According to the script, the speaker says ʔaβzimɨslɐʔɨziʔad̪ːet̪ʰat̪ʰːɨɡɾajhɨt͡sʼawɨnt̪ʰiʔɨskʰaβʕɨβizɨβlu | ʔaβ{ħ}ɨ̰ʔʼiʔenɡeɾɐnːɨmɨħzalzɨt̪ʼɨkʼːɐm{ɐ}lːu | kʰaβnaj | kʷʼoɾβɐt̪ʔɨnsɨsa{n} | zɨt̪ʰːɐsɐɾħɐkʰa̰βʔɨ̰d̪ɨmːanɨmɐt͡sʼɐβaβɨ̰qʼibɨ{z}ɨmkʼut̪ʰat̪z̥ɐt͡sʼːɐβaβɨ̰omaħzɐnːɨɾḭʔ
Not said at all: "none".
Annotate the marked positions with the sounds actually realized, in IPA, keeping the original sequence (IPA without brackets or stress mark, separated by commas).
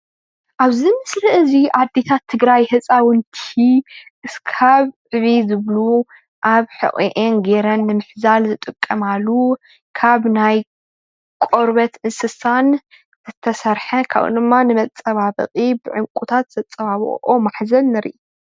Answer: ħ, a, n, ʕ